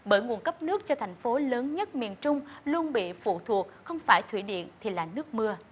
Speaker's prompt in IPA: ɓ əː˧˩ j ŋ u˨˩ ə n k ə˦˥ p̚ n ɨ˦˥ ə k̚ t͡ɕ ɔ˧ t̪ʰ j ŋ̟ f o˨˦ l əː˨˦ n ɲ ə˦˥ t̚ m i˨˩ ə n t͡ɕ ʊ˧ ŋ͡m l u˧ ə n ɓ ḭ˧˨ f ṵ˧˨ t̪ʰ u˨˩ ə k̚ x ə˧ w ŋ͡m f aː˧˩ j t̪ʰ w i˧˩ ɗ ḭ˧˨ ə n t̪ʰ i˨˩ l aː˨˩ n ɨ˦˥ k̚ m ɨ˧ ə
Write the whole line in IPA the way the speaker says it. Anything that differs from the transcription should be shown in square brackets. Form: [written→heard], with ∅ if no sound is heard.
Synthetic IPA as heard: ɓ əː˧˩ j ŋ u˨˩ ə n k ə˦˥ p̚ n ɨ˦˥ ə k̚ t͡ɕ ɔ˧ t̪ʰ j ŋ̟ f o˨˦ l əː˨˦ n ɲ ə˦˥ t̚ m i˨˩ ə n t͡ɕ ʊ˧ ŋ͡m l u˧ ə n ɓ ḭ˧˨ f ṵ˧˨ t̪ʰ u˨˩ ə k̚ x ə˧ w ŋ͡m f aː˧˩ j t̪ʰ w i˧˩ ɗ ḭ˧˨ ə n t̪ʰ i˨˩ l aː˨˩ n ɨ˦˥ k̚ m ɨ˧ ə